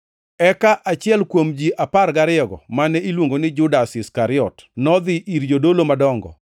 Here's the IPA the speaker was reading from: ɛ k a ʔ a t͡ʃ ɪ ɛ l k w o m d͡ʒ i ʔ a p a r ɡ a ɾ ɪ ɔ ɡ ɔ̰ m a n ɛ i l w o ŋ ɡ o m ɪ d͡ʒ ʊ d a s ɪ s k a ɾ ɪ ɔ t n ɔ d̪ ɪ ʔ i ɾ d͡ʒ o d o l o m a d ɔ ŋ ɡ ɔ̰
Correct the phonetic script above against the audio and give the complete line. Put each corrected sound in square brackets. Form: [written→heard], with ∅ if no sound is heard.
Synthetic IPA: ɛ k a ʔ a t͡ʃ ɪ ɛ l k w o m d͡ʒ i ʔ a p a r ɡ a ɾ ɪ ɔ ɡ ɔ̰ m a n ɛ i l w o ŋ ɡ o [m→n] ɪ d͡ʒ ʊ d a s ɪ s k a ɾ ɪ ɔ t n ɔ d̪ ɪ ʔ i ɾ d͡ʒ o d o l o m a d ɔ ŋ ɡ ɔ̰